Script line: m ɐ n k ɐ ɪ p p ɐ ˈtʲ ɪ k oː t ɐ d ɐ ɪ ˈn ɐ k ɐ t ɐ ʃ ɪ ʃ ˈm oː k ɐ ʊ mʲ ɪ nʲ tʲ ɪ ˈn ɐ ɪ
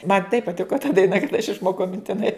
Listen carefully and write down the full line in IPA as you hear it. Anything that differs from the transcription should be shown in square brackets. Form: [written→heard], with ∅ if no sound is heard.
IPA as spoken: m ɐ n [k→t] ɐ ɪ p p ɐ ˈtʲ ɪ k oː t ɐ d ɐ ɪ ˈn ɐ k ɐ t ɐ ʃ ɪ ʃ ˈm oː k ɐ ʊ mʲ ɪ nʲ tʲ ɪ ˈn ɐ ɪ